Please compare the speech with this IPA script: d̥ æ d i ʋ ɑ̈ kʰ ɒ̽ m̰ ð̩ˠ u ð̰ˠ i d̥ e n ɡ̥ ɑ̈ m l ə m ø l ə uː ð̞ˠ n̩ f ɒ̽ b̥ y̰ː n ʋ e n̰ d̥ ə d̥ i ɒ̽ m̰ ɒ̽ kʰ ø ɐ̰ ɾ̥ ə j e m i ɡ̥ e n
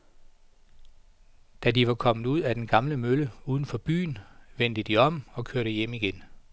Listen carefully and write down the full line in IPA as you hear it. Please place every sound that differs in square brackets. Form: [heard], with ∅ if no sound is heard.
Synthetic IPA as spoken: d̥ æ d i ʋ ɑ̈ kʰ ɒ̽ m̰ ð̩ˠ u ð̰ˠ [æ] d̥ e n ɡ̥ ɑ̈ m l ə m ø l ə uː ð̞ˠ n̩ f ɒ̽ b̥ y̰ː n ʋ e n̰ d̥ ə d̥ i ɒ̽ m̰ ɒ̽ kʰ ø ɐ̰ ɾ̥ ə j e m i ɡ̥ e n